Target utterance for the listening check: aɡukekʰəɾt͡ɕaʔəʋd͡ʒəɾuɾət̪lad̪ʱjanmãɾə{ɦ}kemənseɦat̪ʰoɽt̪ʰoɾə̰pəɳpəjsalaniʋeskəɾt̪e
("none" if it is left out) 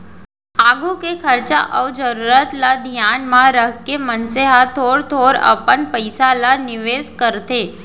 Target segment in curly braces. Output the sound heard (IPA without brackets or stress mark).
ɦ